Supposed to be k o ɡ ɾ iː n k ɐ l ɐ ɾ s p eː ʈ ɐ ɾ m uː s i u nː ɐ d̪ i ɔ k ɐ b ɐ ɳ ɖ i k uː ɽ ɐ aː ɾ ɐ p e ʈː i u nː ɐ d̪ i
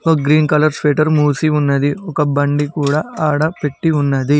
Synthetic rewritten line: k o ɡ ɾ iː n k ɐ l ɐ ɾ s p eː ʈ ɐ ɾ m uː s i u nː ɐ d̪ i ɔ k ɐ b ɐ ɳ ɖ i k uː ɽ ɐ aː ɽ ɐ p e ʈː i u nː ɐ d̪ i